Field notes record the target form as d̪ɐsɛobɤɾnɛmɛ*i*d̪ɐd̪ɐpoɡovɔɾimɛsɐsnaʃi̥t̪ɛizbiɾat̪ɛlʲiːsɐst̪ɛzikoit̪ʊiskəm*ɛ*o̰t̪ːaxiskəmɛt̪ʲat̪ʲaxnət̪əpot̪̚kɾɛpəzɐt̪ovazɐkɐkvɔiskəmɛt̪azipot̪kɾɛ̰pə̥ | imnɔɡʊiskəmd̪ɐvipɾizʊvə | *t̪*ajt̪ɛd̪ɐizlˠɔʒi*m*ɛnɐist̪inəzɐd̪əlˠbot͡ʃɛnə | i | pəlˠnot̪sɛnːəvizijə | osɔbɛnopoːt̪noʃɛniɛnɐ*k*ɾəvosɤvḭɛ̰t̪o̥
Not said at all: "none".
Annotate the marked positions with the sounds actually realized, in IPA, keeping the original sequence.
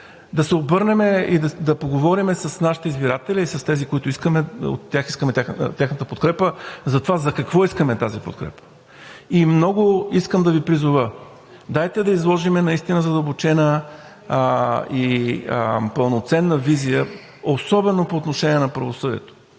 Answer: i, ɛ, d̪, m, p

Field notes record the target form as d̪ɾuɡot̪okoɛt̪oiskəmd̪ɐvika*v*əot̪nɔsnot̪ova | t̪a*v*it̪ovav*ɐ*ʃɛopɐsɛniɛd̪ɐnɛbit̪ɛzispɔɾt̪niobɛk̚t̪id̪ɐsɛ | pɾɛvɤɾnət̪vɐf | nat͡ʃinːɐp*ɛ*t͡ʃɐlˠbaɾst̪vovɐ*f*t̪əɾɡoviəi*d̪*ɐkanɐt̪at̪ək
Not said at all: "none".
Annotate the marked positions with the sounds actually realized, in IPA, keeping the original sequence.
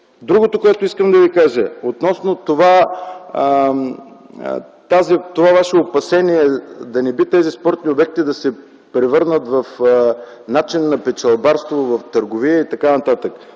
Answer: ʒ, z, a, ɛ, f, t̪

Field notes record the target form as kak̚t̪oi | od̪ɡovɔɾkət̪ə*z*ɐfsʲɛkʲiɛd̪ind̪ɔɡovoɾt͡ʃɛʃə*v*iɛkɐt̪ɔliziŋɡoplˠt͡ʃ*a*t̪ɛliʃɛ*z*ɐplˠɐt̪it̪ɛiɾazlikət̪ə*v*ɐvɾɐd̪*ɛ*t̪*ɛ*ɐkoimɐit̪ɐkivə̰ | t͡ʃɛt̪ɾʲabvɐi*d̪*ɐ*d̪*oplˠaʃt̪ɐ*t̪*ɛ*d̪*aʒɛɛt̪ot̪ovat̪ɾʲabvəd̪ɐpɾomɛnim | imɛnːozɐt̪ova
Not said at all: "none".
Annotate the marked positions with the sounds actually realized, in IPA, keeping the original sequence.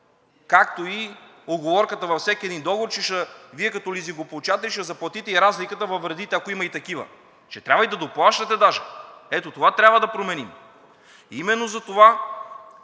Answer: v, v, a, z, v, i, ɛ, d̪, d̪, t̪, d̪

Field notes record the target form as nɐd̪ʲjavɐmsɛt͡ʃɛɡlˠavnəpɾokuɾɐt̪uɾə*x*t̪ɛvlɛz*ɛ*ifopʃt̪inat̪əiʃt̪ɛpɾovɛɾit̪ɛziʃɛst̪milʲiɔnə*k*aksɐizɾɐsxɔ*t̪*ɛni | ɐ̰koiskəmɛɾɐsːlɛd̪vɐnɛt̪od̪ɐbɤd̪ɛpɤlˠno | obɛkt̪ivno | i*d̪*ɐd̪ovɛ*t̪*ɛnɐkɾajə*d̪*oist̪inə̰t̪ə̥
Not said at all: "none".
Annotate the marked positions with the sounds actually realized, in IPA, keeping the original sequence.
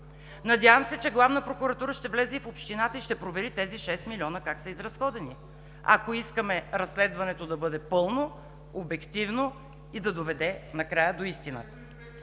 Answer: ʃ, ɛ, k, d̪, d̪, d̪, d̪

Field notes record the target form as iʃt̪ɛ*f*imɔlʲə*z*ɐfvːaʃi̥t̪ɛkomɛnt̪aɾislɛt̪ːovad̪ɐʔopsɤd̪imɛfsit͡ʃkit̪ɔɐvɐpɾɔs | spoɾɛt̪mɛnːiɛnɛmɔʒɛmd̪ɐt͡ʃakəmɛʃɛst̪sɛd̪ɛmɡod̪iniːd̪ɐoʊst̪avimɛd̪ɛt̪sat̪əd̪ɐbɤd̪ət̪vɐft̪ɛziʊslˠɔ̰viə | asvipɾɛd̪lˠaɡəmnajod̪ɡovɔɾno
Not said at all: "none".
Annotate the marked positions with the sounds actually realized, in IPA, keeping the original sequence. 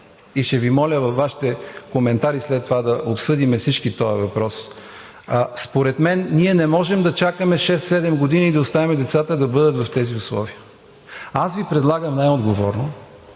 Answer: v, v

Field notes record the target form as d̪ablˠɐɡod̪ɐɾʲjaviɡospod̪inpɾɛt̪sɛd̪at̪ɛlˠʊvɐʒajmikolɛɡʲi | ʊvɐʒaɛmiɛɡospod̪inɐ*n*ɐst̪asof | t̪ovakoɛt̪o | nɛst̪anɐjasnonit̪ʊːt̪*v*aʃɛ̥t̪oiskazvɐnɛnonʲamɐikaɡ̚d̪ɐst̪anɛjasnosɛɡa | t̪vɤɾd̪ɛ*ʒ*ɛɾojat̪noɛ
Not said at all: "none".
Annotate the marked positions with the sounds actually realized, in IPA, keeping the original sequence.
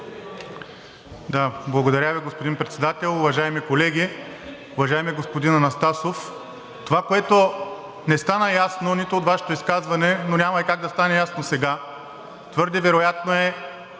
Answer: n, v, v

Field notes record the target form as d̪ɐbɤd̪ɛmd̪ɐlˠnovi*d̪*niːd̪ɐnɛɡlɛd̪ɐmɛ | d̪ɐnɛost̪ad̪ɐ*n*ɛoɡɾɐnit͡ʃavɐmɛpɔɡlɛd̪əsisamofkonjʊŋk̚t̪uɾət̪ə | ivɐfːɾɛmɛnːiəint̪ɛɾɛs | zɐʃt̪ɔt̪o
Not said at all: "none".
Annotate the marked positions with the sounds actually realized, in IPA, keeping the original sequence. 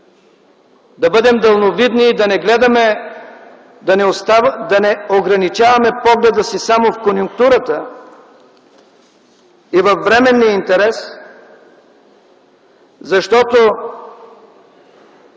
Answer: d̪, n

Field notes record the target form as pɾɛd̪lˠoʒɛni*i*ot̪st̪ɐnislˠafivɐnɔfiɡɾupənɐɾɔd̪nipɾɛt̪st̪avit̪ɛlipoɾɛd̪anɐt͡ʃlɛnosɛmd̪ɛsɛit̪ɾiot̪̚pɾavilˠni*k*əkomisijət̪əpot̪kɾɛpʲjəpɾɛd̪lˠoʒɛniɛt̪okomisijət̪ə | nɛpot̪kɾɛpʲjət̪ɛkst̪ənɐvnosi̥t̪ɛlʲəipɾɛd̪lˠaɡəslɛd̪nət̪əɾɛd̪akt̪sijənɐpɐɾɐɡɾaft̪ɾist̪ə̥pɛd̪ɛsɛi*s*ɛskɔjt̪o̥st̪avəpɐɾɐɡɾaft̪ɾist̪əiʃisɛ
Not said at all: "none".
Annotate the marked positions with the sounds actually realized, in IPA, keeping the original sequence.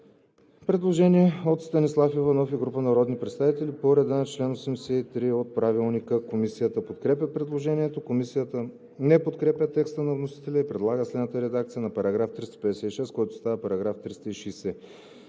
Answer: ɛ, k, ʃ

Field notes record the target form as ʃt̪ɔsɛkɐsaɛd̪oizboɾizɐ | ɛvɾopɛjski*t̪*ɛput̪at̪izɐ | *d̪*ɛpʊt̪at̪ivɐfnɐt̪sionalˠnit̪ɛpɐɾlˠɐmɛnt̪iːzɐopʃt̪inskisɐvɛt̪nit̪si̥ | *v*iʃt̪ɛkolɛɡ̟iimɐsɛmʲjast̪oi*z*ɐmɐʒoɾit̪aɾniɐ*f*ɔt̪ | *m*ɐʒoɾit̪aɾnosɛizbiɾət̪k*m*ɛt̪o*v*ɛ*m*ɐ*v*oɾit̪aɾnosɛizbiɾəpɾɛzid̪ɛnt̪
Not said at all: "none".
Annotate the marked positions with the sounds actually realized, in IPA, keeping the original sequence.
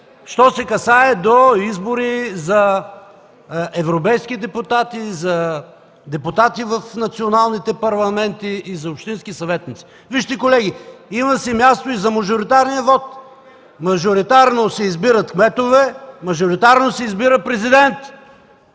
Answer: d̪, d̪, v, z, v, m, m, v, m, ʒ

